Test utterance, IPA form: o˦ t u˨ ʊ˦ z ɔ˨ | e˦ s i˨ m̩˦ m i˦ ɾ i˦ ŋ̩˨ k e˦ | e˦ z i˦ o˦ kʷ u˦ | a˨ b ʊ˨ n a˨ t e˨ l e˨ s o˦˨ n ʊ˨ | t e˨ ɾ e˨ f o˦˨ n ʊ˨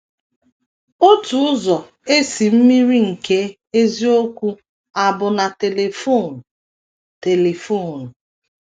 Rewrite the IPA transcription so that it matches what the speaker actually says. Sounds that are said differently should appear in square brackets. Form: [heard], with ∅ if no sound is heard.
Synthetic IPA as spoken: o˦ t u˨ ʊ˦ z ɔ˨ | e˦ s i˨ m̩˦ m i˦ ɾ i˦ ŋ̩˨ k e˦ | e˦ z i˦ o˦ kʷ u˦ | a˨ b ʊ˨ n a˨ t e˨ l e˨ [f] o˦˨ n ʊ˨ | t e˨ [l] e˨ f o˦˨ n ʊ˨